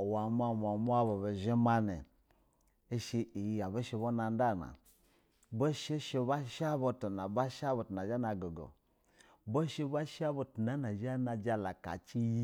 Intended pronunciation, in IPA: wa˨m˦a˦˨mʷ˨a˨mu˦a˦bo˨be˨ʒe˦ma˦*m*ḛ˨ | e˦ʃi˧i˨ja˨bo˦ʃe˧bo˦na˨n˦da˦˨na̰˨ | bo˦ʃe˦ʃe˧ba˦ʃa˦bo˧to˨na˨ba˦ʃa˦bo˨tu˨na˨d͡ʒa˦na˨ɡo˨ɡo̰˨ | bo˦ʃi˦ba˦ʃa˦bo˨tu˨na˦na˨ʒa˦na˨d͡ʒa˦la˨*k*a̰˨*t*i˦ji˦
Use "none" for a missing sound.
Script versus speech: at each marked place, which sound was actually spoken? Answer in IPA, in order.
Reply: n, k, t͡ʃ

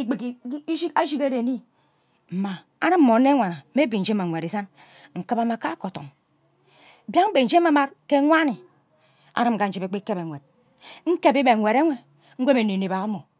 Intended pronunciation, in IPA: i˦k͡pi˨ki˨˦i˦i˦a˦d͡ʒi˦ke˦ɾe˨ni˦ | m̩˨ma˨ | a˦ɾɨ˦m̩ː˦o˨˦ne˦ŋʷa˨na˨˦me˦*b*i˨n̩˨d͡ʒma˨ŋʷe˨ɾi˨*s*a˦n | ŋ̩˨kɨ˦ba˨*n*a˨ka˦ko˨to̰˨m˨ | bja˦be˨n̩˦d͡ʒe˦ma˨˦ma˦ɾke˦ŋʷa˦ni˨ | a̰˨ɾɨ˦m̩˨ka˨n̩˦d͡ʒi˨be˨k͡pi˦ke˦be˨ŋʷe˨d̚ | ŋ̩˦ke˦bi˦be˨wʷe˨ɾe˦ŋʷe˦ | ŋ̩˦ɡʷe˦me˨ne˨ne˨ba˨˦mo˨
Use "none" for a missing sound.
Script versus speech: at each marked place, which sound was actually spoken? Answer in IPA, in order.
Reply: b, s, m

